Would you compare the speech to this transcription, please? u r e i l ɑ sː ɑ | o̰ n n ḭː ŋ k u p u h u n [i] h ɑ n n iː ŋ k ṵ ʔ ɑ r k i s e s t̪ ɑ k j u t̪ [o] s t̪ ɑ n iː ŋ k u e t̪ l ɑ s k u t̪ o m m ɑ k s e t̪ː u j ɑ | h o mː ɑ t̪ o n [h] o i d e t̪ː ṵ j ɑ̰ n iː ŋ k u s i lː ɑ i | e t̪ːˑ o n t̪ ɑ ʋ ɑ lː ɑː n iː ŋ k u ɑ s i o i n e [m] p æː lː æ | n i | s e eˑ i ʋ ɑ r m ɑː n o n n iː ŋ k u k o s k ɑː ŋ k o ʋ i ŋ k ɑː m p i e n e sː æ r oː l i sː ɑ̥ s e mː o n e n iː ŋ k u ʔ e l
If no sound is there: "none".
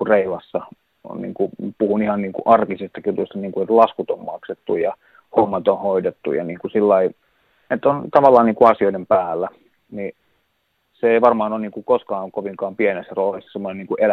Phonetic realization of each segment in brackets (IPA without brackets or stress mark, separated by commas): i, u, h, m